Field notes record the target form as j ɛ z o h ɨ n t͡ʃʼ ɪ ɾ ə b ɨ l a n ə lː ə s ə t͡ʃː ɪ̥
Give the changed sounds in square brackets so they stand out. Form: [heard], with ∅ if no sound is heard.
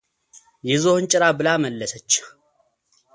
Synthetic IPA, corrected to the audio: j ɛ z o h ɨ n t͡ʃʼ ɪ ɾ [a] b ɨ l a [m] ə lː ə s ə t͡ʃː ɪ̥